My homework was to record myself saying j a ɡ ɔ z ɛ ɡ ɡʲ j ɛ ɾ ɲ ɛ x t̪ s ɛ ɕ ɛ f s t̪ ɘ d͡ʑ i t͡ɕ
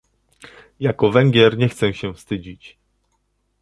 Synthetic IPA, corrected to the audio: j a k ɔ v ɛ ŋ ɡʲ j ɛ ɾ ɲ ɛ x t̪ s ɛ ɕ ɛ f s t̪ ɘ d͡ʑ i t͡ɕ